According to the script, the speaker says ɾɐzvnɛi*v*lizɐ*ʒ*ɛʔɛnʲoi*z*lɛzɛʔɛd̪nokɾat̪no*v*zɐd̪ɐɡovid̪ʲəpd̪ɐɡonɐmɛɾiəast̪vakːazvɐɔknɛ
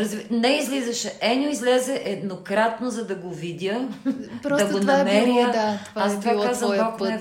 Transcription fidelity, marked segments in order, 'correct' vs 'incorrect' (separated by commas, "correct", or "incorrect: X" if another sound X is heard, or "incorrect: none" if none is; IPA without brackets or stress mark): incorrect: z, incorrect: ʃ, correct, incorrect: none